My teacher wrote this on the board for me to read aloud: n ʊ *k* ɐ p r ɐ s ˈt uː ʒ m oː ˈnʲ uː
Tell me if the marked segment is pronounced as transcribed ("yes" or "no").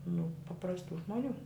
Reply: no